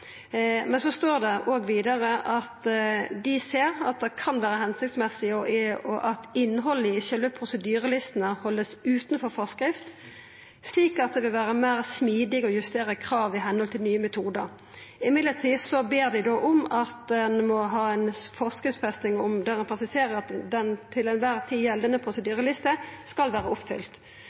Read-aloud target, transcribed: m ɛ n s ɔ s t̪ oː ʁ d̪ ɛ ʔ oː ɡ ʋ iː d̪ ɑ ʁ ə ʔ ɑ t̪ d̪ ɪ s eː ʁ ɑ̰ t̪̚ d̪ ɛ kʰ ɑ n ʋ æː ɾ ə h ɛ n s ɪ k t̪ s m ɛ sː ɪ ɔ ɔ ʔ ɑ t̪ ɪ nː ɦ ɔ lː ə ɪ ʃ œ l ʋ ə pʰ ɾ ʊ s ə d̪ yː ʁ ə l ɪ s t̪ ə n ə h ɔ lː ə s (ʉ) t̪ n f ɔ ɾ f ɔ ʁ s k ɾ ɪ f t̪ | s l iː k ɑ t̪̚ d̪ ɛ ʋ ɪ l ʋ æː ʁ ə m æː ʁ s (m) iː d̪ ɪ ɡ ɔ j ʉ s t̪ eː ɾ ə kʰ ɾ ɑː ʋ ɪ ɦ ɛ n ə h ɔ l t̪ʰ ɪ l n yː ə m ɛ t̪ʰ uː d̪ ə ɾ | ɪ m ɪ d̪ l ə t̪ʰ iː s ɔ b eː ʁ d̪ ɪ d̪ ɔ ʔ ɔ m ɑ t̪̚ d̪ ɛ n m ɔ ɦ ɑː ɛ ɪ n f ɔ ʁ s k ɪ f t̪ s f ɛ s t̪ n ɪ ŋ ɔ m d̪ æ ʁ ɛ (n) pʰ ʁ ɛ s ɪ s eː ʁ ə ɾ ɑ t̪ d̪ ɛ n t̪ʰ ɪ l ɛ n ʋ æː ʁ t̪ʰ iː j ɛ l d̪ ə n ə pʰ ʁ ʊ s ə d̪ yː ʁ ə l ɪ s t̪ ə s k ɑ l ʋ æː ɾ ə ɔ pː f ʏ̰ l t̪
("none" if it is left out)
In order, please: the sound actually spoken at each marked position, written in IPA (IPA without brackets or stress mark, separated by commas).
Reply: ʉː, m, n